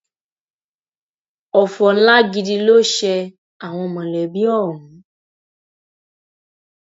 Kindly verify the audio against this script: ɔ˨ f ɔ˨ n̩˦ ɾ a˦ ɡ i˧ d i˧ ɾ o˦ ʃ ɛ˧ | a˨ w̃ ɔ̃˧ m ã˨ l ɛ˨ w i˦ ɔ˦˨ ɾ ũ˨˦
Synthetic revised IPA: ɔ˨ f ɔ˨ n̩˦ l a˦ ɡ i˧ d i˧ l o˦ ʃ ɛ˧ | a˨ w̃ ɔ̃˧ m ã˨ l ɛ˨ b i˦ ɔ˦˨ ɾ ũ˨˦